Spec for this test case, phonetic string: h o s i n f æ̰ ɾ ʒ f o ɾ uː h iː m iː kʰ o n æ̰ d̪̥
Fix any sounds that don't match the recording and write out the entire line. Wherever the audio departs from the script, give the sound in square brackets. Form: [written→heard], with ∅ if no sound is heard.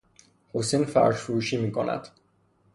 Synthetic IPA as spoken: h o s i n f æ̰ ɾ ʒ f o ɾ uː [h→ʃ] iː m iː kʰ o n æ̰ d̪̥